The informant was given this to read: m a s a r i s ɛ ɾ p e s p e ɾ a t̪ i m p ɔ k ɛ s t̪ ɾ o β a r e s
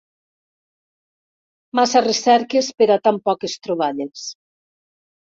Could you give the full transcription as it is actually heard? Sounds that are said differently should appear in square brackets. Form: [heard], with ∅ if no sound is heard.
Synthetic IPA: m a s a r [e] s ɛ ɾ [k] e s p e ɾ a t̪ [a] m p ɔ k [e] s t̪ ɾ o β a [ʎ] e s